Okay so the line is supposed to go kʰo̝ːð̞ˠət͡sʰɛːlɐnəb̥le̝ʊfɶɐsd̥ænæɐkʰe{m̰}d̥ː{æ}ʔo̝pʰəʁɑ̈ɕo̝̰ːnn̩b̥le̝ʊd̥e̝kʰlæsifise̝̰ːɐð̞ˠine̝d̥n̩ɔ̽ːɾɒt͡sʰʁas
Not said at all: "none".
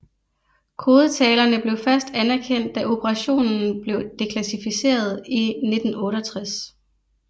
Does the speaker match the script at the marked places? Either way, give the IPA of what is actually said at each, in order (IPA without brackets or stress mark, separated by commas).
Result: n̰, æ